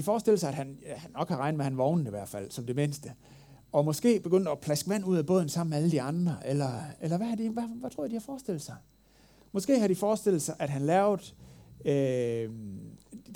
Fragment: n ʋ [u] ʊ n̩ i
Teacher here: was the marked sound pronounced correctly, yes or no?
no